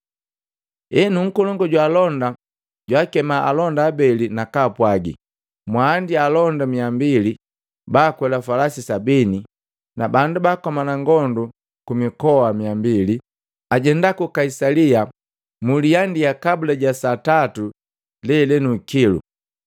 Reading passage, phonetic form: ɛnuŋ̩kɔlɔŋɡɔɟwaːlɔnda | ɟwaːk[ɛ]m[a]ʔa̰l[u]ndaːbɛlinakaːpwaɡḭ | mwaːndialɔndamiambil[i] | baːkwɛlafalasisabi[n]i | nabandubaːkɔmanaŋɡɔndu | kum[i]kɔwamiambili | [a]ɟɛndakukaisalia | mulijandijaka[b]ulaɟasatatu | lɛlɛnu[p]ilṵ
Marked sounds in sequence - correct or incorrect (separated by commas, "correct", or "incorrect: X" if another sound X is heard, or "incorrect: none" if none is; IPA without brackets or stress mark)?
correct, correct, incorrect: ɔ, correct, correct, correct, correct, correct, incorrect: k